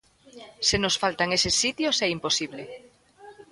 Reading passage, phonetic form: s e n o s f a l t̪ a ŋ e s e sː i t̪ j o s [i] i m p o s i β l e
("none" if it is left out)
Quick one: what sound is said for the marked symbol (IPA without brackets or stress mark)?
ɛ